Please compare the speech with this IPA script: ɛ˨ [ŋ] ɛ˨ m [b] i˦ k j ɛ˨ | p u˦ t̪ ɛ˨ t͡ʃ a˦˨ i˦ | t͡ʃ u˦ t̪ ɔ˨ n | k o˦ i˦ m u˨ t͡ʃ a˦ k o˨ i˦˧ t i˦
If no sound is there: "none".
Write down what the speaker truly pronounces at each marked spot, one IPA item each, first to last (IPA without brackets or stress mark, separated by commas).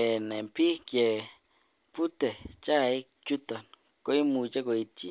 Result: n, p